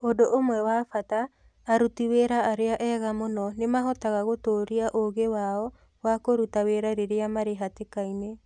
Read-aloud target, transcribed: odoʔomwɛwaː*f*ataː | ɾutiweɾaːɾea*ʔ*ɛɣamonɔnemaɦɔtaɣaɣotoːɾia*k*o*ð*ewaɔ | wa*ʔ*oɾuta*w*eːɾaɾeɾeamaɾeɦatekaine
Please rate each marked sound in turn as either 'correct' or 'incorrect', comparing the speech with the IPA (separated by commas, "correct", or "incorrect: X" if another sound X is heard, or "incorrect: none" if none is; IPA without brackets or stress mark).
correct, correct, incorrect: ʔ, incorrect: ɣ, incorrect: k, correct